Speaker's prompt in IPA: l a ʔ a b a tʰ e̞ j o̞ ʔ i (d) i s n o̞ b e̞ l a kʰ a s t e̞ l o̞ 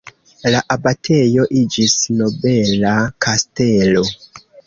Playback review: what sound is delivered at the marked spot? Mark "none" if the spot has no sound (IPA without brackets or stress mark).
d͡ʒ